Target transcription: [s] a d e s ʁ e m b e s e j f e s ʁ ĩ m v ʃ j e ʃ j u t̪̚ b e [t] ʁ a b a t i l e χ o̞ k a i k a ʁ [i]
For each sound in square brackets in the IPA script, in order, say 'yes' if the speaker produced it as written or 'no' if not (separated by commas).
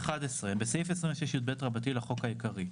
no, yes, yes